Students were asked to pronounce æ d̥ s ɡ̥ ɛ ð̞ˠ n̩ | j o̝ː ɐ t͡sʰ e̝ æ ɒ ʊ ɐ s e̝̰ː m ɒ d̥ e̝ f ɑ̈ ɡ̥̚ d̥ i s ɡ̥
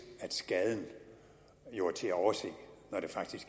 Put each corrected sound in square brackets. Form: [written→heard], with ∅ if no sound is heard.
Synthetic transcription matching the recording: æ d̥ s ɡ̥ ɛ ð̞ˠ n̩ | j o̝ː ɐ t͡sʰ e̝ æ ɒ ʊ ɐ s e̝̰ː [m→n] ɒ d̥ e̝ f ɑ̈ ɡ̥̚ d̥ i s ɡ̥